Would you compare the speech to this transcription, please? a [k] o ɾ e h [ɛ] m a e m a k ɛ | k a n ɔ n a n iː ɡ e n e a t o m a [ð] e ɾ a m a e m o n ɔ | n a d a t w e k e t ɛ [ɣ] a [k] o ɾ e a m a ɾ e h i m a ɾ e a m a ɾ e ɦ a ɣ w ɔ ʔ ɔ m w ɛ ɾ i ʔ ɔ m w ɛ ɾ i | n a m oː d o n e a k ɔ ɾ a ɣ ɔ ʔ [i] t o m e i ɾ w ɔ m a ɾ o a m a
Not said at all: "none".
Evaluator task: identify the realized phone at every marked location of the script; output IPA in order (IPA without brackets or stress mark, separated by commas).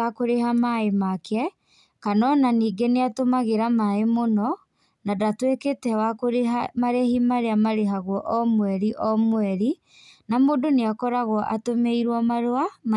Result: k, a, ɣ, w, k, a